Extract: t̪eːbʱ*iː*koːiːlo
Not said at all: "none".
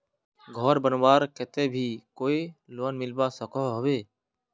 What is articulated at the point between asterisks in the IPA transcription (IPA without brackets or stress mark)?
iː